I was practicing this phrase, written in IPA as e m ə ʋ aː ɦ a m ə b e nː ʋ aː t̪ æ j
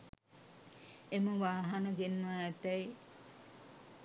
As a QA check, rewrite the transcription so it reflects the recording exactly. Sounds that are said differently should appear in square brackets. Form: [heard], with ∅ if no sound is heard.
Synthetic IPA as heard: e m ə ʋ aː ɦ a [n] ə [ɡ] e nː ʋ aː t̪ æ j